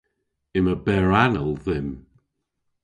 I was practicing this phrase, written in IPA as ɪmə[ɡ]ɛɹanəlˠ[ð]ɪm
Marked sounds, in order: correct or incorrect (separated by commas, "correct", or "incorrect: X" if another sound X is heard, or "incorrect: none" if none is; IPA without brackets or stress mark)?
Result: incorrect: b, correct